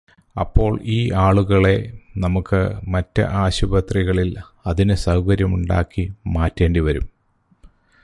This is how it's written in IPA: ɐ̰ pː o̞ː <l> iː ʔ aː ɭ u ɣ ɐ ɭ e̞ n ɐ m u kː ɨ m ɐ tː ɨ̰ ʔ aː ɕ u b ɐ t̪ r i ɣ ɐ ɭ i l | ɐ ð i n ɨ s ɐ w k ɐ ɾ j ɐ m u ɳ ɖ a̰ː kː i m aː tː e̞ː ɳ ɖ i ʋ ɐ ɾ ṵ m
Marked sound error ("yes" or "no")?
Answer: yes